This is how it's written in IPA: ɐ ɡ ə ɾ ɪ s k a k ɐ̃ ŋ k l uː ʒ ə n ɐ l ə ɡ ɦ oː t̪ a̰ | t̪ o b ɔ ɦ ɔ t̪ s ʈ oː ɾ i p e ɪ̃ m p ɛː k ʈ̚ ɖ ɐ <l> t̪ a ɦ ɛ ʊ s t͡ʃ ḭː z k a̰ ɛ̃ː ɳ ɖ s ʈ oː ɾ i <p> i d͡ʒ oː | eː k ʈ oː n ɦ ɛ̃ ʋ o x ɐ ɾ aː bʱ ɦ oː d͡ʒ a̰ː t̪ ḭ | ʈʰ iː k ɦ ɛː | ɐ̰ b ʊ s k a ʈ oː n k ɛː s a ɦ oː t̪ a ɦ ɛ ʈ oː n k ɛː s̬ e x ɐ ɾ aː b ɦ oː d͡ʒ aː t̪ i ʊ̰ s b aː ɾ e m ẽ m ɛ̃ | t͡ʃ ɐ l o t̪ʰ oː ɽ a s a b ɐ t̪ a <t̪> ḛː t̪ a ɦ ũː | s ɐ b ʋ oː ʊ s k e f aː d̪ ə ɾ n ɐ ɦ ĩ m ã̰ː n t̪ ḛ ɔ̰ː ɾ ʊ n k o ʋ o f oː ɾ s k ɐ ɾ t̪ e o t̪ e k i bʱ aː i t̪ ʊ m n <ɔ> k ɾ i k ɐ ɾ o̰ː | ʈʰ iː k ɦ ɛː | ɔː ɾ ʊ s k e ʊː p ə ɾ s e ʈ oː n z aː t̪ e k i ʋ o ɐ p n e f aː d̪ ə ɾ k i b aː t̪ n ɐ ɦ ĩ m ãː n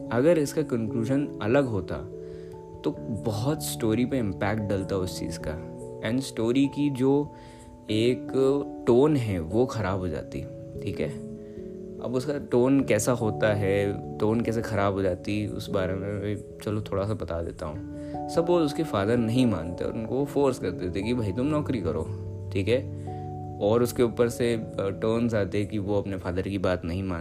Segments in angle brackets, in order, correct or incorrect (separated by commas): correct, incorrect, incorrect, incorrect